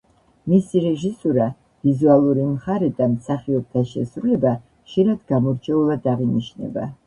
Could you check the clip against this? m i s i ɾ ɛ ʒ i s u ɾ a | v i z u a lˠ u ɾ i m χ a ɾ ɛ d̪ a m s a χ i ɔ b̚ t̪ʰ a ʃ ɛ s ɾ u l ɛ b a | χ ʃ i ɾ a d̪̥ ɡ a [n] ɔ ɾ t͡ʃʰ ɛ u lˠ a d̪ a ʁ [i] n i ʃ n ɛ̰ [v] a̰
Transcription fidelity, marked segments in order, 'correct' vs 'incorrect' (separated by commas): incorrect, correct, incorrect